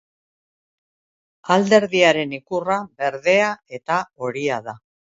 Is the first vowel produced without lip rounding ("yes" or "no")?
yes